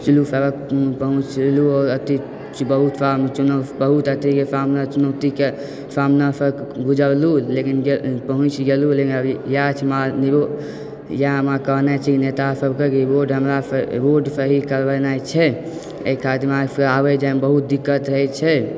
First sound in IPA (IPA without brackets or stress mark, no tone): t͡ʃ